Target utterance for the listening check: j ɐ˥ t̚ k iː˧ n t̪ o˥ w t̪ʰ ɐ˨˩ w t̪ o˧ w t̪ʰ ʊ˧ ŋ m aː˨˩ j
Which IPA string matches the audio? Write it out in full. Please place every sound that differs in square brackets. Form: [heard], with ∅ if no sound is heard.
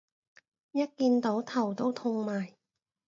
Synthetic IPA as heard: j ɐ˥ t̚ k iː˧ n t̪ [o˨˥] w t̪ʰ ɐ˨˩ w t̪ [o˥] w t̪ʰ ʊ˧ ŋ m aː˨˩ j